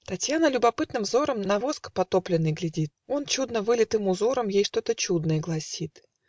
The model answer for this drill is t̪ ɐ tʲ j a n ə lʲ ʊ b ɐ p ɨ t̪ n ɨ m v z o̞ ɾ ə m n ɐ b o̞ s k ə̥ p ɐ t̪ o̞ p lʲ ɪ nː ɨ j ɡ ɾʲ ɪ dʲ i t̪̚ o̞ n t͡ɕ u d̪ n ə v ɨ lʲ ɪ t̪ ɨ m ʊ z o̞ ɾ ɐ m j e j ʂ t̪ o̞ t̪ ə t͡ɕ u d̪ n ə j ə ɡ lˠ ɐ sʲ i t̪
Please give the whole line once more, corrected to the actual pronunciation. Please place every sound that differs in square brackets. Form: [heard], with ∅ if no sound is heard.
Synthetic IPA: t̪ ɐ tʲ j a n ə lʲ ʊ b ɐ p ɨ t̪ n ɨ m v z o̞ ɾ ə m n ɐ [v] o̞ s k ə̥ p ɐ t̪ o̞ p lʲ ɪ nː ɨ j ɡ [lʲ] ɪ dʲ i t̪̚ o̞ n t͡ɕ u d̪ n ə v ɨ lʲ ɪ t̪ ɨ m ʊ z o̞ ɾ [ə] m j e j ʂ t̪ o̞ t̪ ə t͡ɕ u d̪ n ə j ə ɡ lˠ ɐ sʲ i t̪